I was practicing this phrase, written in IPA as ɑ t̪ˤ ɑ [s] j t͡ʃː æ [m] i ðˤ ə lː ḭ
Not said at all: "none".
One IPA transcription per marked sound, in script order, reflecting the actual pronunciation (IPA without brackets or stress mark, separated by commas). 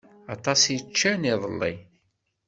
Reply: s, n